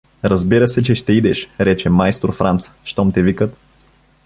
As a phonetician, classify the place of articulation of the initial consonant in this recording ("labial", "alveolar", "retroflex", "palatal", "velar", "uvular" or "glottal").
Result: alveolar